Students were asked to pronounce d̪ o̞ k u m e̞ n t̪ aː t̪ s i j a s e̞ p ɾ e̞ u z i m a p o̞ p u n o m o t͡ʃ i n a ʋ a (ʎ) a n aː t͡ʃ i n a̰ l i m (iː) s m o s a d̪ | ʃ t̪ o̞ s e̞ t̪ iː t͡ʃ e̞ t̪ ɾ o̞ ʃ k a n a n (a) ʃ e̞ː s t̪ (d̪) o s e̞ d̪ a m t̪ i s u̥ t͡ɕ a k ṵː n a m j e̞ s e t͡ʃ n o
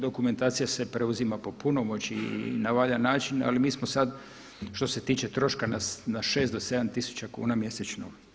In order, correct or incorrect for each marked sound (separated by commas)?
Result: correct, correct, correct, correct